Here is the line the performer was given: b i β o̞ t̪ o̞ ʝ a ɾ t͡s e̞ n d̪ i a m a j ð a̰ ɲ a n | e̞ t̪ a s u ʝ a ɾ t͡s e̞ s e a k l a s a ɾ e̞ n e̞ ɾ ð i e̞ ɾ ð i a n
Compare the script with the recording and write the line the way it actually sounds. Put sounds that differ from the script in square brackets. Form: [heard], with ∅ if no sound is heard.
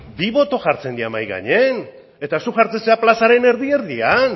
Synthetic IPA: b i β o̞ t̪ o̞ ʝ a ɾ t͡s e̞ n d̪ i a m a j [ɣ] a̰ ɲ [e] n | e̞ t̪ a s u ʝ a ɾ t͡s e̞ s e a [p] l a s a ɾ e̞ n e̞ ɾ ð i e̞ ɾ ð i a n